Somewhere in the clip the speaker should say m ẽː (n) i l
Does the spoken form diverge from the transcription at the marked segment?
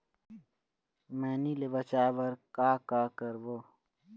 no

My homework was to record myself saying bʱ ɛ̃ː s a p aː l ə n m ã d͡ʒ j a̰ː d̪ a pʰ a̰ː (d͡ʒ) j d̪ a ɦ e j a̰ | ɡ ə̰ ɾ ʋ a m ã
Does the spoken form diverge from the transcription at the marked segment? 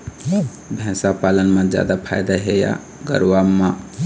yes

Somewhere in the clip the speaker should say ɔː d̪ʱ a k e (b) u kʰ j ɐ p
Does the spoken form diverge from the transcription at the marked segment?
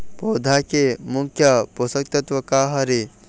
yes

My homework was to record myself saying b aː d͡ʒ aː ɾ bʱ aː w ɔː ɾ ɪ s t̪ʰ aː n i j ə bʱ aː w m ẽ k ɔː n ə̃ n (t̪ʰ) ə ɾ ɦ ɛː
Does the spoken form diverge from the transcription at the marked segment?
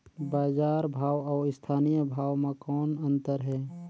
yes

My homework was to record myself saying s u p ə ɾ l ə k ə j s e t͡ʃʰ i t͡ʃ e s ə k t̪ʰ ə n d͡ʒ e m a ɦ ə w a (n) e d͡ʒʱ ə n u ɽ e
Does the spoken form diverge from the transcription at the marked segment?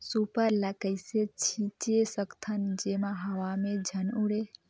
yes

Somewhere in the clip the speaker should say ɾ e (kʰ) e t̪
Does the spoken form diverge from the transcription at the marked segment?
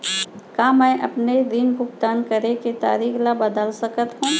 yes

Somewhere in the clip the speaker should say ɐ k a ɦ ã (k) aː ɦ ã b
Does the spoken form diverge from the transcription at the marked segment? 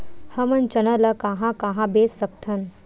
no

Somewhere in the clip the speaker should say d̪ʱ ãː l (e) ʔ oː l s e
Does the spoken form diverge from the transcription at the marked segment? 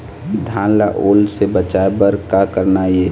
yes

